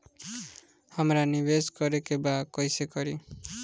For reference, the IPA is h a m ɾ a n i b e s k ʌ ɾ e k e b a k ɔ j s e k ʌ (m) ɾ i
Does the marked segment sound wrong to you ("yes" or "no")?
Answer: yes